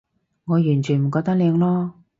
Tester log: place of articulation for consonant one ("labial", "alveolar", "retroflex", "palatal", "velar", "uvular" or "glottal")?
velar